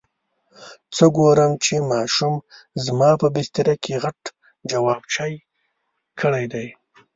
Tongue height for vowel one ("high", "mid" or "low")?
mid